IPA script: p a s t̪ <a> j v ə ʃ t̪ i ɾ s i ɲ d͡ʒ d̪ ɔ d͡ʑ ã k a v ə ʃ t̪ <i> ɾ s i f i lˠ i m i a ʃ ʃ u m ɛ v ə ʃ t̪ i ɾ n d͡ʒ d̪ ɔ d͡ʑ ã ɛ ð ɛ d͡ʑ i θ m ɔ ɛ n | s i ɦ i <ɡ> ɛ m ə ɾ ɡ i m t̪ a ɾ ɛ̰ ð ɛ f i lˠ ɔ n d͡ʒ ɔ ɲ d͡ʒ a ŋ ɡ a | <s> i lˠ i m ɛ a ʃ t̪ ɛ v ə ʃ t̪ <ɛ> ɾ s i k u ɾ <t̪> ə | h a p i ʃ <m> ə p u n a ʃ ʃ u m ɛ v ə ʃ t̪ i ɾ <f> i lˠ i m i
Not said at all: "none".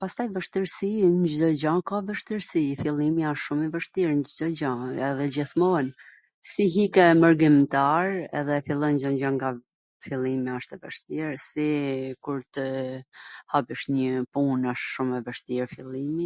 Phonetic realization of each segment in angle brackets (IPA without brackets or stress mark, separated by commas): a, i, k, f, i, t̪, ɲ, f